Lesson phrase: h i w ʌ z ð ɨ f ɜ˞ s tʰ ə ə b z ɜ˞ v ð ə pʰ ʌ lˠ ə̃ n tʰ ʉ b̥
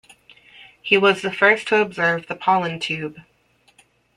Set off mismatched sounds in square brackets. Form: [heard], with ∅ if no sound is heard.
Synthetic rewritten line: h i w ʌ z ð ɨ f ɜ˞ s tʰ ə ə b z ɜ˞ v ð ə pʰ [ɑ] lˠ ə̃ n tʰ ʉ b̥